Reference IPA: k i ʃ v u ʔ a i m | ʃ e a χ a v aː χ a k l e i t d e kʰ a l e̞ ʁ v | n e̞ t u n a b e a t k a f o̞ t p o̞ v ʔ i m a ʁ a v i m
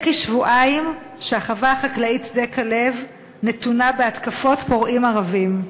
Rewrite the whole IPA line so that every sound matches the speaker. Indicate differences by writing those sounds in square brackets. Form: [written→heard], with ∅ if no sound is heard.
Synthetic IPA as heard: k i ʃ v u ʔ a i m | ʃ e a χ a v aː χ a k l [e→a] i t d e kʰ a l e̞ [ʁ→∅] v | n e̞ t u n a b e a t k a f o̞ t p o̞ [v→ʁ] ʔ i m a ʁ a v i m